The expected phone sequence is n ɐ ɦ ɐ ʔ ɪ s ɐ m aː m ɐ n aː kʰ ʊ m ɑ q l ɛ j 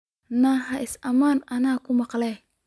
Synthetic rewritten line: n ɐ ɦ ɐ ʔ ɪ s ɐ m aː n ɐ n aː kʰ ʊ m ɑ q l ɛ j